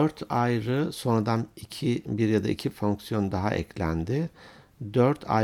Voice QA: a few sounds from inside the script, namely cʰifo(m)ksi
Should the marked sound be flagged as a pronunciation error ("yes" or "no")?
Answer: yes